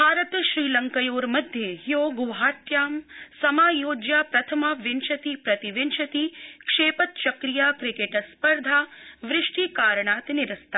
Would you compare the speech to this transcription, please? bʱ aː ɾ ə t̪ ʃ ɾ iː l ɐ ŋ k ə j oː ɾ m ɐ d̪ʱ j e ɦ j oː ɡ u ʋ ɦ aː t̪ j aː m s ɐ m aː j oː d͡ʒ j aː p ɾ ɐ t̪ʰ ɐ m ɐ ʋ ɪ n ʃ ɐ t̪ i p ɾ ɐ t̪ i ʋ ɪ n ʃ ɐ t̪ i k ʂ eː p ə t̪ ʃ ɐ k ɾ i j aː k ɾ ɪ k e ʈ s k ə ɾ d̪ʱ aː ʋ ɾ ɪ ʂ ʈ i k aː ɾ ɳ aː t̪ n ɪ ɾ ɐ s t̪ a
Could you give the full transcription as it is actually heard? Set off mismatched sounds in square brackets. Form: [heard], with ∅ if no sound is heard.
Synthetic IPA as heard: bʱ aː ɾ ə t̪ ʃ ɾ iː l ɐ ŋ k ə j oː ɾ m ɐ d̪ʱ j e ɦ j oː ɡ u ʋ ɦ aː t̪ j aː m s ɐ m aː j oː d͡ʒ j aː p ɾ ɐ t̪ʰ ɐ m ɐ ʋ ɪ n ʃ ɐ t̪ i p ɾ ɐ t̪ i ʋ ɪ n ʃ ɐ t̪ i k ʂ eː p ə t̪ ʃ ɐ k ɾ i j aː k ɾ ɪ k e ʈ s [p] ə ɾ d̪ʱ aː ʋ ɾ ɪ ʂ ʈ i k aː ɾ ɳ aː t̪ n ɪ ɾ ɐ s t̪ a